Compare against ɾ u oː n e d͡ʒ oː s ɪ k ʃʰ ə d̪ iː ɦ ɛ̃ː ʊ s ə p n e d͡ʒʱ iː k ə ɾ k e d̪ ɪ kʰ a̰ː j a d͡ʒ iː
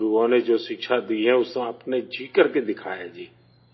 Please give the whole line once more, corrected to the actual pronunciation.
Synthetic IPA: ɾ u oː n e d͡ʒ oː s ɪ k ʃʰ a d̪ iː ɦ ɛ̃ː ʊ s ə p n e d͡ʒʱ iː k ə ɾ k e d̪ ɪ kʰ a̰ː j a d͡ʒ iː